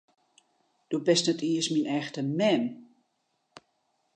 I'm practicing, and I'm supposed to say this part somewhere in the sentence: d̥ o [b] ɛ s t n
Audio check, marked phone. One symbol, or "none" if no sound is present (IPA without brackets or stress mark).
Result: b